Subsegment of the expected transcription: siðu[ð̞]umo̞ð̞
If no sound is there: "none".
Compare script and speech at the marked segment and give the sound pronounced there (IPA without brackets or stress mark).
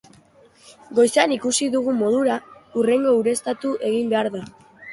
ɣ̞